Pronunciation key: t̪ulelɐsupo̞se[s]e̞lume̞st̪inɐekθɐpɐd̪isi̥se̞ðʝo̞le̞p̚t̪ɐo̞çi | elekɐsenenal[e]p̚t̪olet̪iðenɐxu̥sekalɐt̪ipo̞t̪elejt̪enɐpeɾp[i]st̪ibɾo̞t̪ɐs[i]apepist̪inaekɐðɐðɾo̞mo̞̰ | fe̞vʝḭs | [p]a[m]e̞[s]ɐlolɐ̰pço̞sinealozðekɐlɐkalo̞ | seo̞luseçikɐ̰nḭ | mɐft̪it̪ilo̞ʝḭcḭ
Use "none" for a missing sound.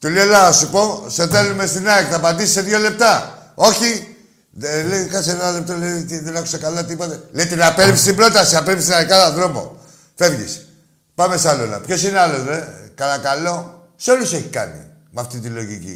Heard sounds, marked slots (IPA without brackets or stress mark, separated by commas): θ, e, i, i, p, m, s